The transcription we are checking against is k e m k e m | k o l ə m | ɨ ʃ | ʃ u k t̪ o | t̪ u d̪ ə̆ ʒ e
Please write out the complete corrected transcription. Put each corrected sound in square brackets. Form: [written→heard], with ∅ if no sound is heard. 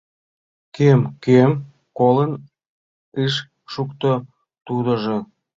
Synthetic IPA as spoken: k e m k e m | k o l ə [m→n] | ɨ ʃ | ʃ u k t̪ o | t̪ u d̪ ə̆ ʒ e

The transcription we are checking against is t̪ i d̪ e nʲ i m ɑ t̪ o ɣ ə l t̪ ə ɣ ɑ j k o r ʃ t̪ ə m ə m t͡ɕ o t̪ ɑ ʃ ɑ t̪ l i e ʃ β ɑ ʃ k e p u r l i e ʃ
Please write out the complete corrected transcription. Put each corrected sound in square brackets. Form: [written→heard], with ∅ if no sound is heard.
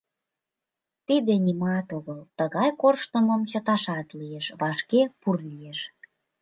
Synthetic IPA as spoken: t̪ i d̪ e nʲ i m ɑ t̪ o ɣ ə l t̪ ə ɣ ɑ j k o r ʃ t̪ ə m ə m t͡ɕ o t̪ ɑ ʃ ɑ t̪ l i e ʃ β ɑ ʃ k e p u r l i e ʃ

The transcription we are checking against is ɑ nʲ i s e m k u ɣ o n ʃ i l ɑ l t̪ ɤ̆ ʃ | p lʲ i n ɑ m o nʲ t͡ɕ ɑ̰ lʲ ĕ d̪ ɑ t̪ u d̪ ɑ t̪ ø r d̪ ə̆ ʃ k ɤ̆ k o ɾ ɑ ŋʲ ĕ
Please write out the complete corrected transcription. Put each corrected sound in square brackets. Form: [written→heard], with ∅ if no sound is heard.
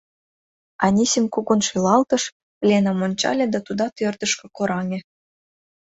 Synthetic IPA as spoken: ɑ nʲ i s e m k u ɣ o n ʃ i l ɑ l t̪ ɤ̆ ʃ | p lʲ [i→e] n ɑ m o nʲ t͡ɕ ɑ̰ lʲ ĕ d̪ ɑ t̪ u d̪ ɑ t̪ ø r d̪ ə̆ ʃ k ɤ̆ k o ɾ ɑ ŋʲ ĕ

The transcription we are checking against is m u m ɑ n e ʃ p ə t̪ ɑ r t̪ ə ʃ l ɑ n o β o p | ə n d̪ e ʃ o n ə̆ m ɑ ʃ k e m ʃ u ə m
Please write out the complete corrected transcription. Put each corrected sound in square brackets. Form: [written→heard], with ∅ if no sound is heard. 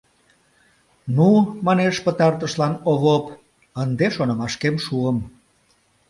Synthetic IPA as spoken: [m→n] u m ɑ n e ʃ p ə t̪ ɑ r t̪ ə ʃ l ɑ n o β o p | ə n d̪ e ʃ o n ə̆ m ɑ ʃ k e m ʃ u ə m

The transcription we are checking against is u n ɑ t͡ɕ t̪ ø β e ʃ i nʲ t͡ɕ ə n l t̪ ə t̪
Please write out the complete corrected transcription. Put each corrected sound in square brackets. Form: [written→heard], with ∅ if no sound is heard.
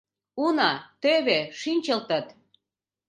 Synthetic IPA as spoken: u n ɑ [t͡ɕ→∅] t̪ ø β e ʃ i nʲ t͡ɕ ə [n→∅] l t̪ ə t̪

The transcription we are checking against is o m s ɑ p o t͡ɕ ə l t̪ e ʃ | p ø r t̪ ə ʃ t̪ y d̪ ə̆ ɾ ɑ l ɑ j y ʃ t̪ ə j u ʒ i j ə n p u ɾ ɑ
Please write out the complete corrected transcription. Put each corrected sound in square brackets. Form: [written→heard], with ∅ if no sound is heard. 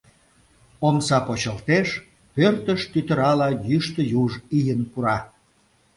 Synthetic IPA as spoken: o m s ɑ p o t͡ɕ ə l t̪ e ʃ | p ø r t̪ ə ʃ t̪ y [d̪→t̪] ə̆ ɾ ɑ l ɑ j y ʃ t̪ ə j u ʒ i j ə n p u ɾ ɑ

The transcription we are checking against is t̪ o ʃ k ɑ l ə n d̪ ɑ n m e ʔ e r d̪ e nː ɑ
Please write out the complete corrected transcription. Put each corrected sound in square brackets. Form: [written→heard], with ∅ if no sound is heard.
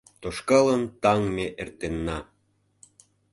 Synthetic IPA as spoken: t̪ o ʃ k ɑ l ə n [d̪→t̪] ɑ [n→ŋ] m e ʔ e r [d̪→t̪] e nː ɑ

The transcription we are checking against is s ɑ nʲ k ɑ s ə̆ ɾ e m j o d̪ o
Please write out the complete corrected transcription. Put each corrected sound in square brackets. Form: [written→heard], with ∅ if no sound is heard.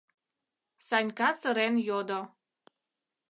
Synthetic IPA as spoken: s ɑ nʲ k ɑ s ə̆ ɾ e [m→n] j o d̪ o

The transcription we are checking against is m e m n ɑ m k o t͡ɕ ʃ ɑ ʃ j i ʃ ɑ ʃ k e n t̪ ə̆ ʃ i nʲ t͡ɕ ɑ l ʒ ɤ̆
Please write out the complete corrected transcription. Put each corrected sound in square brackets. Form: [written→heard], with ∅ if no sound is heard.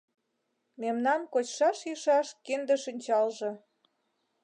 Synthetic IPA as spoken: m e m n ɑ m k o t͡ɕ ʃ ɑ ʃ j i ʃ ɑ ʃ k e n [t̪→d̪] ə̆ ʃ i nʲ t͡ɕ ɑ l ʒ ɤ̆

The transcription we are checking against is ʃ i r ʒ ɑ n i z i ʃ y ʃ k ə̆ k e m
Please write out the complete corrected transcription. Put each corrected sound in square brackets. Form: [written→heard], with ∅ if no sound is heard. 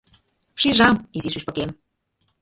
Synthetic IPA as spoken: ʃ i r ʒ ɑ [n→m] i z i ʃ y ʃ [k→p] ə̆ k e m

